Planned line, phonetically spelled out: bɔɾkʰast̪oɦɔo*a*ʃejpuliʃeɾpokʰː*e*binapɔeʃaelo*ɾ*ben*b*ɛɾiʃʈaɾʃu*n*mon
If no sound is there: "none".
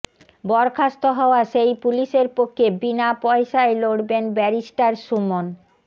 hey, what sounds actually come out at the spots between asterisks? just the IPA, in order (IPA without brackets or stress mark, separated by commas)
a, e, ɽ, b, none